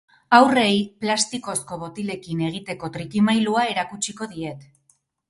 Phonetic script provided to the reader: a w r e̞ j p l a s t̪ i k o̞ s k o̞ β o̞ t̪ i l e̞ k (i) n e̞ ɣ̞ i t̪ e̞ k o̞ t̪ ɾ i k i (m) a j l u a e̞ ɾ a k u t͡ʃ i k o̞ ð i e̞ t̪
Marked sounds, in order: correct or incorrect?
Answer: correct, correct

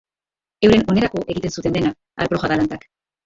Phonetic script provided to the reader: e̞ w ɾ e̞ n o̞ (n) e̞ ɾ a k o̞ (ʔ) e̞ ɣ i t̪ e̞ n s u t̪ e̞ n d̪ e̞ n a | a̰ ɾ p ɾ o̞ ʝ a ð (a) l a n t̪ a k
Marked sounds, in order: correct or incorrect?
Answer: correct, correct, correct

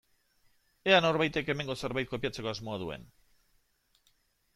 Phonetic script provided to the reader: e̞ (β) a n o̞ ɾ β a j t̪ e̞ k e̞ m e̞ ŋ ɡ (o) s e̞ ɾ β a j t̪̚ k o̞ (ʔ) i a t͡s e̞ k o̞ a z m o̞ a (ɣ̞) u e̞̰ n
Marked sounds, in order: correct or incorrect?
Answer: incorrect: none, correct, incorrect: p, incorrect: ð̞

